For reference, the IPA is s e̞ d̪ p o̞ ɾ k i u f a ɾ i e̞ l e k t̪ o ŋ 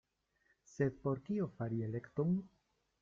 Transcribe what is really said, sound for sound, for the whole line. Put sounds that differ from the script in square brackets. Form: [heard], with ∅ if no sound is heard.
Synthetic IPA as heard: s e̞ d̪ p o̞ ɾ k i [o] f a ɾ i e̞ l e k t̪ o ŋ